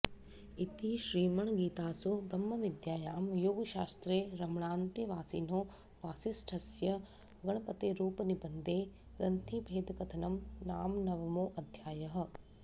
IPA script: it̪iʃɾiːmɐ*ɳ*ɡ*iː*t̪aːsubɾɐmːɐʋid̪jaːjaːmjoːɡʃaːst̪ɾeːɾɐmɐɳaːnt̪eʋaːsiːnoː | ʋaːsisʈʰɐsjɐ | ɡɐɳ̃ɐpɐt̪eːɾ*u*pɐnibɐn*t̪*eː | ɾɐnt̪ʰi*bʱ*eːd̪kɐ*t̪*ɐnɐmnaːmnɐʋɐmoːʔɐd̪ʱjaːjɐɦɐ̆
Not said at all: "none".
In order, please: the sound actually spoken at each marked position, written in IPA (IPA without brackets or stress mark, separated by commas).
ɳ, iː, uː, d̪, bʱ, t̪ʰ